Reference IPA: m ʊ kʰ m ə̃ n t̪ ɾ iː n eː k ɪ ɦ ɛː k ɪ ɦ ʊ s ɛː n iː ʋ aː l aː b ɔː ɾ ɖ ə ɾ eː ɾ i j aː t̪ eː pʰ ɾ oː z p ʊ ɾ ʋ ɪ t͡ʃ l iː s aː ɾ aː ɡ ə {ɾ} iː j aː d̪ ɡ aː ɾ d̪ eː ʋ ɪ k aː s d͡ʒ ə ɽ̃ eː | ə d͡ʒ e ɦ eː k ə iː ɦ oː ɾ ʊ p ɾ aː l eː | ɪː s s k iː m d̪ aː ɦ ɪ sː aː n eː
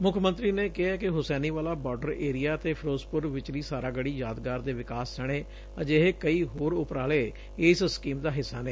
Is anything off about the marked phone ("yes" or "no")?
yes